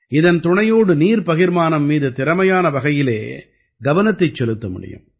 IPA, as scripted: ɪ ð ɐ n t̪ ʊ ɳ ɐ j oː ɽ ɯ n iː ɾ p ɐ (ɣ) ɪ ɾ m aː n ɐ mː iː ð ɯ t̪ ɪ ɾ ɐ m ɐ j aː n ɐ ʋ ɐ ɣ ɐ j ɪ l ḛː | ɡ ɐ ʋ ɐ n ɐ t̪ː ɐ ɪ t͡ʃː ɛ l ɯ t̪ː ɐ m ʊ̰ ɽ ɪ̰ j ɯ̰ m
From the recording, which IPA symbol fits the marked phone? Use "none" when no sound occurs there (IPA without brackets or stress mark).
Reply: ɣ